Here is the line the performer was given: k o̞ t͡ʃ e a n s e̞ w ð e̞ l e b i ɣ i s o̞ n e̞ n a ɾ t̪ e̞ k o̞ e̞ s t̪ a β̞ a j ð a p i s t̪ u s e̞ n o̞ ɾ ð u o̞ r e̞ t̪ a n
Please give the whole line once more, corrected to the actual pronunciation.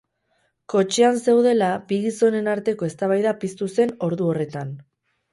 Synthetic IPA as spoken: k o̞ t͡ʃ e a n s e̞ w ð e̞ l a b i ɣ i s o̞ n e̞ n a ɾ t̪ e̞ k o̞ e̞ s t̪ a β̞ a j ð a p i s t̪ u s e̞ n o̞ ɾ ð u o̞ r e̞ t̪ a n